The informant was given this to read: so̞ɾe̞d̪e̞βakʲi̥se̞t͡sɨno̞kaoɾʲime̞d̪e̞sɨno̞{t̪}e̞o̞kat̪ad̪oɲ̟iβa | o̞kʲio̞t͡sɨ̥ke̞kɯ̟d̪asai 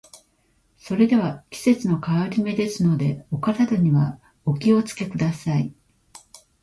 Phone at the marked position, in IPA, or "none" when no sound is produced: d̪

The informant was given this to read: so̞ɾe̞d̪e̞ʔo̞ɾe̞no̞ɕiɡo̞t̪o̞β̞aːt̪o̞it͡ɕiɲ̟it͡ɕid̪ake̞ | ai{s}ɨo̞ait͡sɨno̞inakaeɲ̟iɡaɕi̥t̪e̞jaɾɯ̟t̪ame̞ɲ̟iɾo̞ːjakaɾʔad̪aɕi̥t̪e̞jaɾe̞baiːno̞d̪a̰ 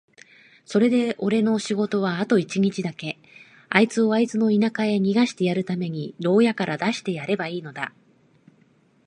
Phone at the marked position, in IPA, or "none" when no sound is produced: t͡s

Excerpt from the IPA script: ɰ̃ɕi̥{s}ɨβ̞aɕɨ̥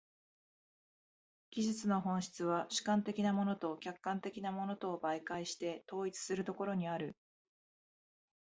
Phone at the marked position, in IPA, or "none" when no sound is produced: t͡s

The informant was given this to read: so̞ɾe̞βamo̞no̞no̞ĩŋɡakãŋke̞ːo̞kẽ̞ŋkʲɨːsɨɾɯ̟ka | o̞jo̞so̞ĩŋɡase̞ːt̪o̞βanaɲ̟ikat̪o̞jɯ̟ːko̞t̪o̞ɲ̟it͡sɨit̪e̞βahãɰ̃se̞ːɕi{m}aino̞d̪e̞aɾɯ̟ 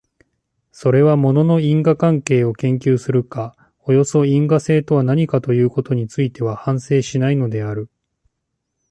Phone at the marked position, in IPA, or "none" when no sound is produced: n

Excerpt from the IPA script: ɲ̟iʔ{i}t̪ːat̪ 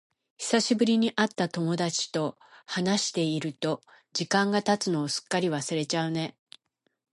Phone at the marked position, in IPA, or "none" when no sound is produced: a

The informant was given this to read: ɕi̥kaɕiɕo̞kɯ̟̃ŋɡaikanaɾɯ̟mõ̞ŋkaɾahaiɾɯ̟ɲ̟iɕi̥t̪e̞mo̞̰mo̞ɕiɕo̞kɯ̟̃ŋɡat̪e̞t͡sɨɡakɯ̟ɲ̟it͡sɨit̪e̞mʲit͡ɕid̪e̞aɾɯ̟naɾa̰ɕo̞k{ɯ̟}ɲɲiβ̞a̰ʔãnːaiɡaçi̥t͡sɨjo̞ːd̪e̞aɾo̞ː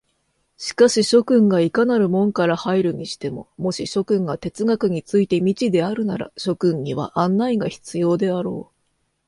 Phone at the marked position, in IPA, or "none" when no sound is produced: ɯ̟̃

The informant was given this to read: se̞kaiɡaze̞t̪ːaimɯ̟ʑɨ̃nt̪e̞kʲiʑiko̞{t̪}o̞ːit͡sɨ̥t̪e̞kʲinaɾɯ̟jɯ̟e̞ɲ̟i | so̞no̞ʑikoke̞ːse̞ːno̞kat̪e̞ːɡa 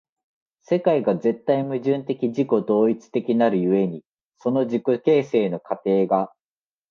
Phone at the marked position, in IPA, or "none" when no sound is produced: d̪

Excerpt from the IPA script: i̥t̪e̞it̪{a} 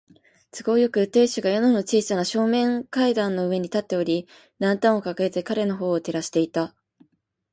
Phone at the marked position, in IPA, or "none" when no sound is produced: a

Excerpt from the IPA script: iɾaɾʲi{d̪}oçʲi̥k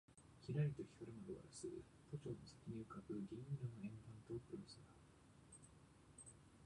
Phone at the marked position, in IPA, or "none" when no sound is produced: t̪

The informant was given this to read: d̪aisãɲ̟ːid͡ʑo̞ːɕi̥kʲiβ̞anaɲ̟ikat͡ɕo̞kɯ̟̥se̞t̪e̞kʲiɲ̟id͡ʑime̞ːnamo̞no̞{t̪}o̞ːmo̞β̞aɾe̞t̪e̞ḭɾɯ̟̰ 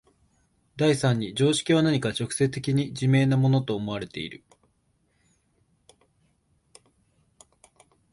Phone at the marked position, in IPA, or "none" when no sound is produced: t̪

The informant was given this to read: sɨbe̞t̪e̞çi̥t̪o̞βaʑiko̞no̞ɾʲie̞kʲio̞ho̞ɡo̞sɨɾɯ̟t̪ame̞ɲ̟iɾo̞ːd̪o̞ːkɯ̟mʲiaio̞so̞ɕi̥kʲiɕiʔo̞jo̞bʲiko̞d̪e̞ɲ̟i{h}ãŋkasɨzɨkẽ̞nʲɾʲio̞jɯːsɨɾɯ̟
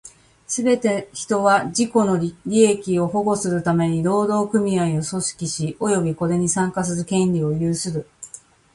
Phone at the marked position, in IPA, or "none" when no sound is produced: s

